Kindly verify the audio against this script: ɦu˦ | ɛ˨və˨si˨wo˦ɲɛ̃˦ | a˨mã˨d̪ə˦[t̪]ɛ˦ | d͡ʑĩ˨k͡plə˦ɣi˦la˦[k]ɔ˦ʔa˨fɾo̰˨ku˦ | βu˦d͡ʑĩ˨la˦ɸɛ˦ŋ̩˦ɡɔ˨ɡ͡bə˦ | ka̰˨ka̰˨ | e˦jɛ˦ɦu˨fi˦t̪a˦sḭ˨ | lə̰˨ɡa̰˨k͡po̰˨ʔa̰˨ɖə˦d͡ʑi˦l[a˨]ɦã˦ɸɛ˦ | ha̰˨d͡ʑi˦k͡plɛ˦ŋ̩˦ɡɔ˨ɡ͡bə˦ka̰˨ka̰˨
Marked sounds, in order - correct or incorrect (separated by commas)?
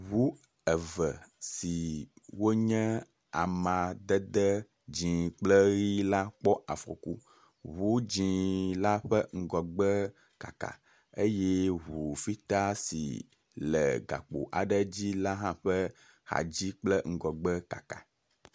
incorrect, incorrect, incorrect